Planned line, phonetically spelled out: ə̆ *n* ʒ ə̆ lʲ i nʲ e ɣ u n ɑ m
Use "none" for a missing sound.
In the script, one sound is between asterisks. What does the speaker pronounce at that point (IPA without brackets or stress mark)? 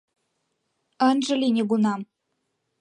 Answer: n